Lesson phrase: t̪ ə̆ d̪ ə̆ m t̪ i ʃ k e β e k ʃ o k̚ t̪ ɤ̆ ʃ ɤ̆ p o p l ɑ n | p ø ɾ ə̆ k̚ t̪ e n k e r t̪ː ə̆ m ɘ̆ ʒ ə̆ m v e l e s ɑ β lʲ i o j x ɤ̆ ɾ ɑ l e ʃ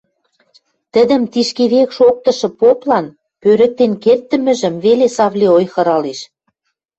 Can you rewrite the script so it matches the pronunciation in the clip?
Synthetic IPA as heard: t̪ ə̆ d̪ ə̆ m t̪ i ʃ k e β e k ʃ o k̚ t̪ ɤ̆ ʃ ɤ̆ p o p l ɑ n | p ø ɾ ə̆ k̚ t̪ e n k e r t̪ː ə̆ m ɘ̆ ʒ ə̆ m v e l e s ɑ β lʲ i o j x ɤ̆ ɾ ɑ l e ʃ